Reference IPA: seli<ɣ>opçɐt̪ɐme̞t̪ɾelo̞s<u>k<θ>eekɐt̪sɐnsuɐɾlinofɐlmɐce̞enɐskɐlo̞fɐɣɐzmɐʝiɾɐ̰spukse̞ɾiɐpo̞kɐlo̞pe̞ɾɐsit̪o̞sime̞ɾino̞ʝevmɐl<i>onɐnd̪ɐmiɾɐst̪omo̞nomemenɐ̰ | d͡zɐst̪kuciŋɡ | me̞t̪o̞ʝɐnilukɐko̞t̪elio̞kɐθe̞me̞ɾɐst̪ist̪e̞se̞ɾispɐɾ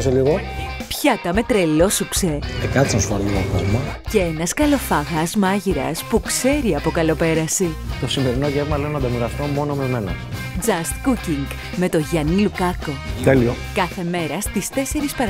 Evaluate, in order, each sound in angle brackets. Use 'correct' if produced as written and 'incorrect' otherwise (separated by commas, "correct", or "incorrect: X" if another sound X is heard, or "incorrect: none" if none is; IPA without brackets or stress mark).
correct, correct, incorrect: s, incorrect: e